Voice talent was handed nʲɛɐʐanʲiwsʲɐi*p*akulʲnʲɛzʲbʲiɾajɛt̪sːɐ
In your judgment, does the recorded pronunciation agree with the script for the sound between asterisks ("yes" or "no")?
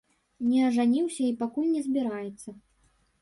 yes